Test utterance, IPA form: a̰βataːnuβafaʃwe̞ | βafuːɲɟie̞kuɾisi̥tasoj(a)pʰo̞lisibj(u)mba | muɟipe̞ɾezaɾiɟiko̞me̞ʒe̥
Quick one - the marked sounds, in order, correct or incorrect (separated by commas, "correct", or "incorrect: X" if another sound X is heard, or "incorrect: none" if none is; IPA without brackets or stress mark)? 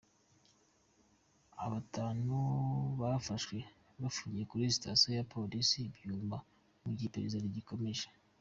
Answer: correct, incorrect: uː